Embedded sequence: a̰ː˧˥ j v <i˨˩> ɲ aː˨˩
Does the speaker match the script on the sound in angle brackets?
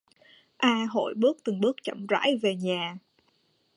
no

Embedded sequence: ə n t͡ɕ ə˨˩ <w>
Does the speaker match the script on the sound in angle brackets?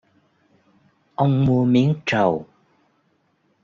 yes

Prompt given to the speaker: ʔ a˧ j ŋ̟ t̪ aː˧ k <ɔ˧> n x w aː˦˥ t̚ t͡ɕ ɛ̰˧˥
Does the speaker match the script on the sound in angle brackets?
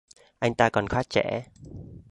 no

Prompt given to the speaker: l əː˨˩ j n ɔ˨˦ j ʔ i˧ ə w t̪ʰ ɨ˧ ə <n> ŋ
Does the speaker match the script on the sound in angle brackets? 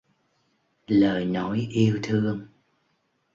no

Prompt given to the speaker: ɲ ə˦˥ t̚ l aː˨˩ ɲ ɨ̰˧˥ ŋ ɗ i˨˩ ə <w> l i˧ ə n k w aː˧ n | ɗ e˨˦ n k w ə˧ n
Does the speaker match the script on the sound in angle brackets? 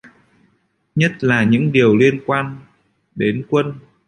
yes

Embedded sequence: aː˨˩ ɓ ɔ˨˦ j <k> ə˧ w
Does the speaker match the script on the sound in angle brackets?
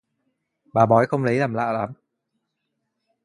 no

